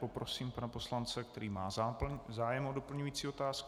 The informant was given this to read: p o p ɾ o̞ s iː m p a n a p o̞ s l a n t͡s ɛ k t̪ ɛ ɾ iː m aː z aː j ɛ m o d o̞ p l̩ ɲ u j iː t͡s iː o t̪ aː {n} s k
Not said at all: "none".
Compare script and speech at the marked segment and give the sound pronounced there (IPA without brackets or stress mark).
none